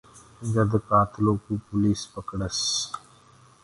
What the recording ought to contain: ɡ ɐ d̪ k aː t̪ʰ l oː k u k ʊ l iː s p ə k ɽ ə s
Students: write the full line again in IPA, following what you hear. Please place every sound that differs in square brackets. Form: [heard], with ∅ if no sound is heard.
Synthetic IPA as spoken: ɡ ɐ d̪ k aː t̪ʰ l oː k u [p] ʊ l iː s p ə k ɽ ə s